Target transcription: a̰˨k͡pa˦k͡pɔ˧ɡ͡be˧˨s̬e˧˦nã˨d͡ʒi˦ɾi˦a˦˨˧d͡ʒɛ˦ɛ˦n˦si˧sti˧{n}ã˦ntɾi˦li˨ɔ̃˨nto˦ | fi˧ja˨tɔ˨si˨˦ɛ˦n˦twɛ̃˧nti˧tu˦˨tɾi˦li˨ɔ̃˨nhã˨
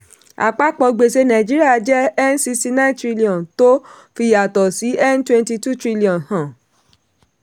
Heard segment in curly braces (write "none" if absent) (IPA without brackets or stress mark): n